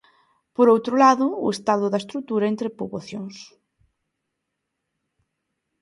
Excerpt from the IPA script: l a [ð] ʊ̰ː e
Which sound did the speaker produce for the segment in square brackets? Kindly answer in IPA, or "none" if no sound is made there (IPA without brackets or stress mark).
ð